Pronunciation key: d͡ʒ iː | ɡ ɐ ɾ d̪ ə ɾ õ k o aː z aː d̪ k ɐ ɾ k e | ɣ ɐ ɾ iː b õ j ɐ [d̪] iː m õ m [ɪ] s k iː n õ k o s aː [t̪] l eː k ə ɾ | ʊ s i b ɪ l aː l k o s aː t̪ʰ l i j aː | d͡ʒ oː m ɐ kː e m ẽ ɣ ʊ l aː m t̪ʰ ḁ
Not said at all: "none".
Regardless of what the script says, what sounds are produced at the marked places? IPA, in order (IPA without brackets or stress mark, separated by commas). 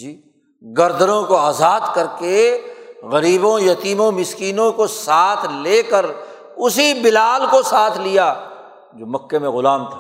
t̪, ɪ, t̪ʰ